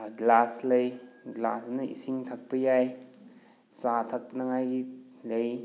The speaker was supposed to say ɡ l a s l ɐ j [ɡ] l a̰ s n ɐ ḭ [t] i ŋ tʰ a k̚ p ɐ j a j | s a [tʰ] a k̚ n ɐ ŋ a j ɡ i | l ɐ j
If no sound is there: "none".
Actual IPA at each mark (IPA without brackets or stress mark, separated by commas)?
ɡ, s, tʰ